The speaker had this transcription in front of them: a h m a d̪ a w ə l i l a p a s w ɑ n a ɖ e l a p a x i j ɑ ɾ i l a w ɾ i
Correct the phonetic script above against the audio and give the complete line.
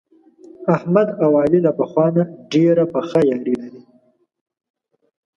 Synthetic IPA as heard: a h m a d̪ a w ɑ l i l a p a x w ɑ n a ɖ e ɾ a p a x a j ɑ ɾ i l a ɾ i